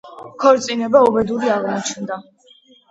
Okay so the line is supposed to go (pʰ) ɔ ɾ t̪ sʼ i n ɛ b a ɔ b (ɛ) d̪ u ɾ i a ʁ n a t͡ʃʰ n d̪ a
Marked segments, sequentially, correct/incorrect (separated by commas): incorrect, correct